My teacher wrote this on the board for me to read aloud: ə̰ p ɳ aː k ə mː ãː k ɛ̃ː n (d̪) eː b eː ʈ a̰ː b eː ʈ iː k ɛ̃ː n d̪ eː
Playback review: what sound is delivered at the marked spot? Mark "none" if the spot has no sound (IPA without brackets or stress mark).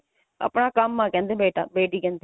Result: d̪